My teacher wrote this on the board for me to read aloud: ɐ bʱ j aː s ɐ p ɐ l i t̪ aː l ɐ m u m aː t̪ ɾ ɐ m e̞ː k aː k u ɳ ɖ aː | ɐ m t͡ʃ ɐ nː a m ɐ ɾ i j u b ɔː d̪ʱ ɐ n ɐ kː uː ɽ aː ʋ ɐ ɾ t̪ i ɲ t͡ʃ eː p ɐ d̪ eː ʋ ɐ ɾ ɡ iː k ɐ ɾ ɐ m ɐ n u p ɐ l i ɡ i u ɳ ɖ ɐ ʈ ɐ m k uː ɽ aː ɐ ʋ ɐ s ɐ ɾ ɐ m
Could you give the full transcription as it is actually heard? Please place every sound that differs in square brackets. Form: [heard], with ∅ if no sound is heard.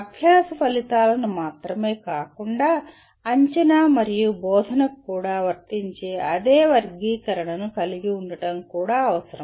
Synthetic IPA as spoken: ɐ bʱ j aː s ɐ p ɐ l i t̪ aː l ɐ [n] u m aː t̪ ɾ ɐ m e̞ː k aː k u ɳ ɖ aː | ɐ [ɲ] t͡ʃ ɐ [n] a m ɐ ɾ i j u b ɔː d̪ʱ ɐ n ɐ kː uː ɽ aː ʋ ɐ ɾ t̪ i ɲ t͡ʃ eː [∅] ɐ d̪ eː ʋ ɐ ɾ ɡ iː k ɐ ɾ ɐ [ɳ] ɐ n u [k] ɐ l i ɡ i u ɳ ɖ ɐ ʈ ɐ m k uː ɽ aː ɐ ʋ ɐ s ɐ ɾ ɐ m